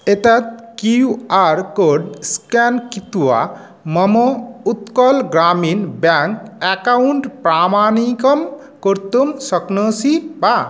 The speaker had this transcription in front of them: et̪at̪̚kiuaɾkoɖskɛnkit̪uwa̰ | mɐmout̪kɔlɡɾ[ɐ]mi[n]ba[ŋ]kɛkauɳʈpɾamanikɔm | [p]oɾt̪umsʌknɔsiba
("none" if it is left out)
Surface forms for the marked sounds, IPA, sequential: a, n, ŋ, k

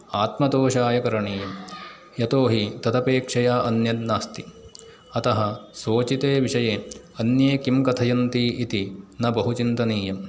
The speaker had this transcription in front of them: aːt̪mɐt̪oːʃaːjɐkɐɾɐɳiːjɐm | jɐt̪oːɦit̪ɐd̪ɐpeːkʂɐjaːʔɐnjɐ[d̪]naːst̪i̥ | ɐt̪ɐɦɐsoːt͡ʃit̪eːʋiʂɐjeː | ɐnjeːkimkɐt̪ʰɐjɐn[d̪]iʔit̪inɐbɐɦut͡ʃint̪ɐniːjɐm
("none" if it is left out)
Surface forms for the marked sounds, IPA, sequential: d̪, t̪

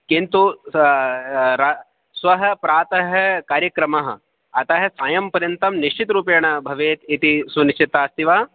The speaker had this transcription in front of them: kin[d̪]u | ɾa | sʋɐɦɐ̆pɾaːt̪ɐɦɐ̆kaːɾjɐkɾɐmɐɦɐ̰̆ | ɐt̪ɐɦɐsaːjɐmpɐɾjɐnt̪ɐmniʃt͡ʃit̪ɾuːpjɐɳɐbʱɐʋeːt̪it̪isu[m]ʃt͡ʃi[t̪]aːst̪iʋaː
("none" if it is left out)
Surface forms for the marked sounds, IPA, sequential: t̪, n, t̪

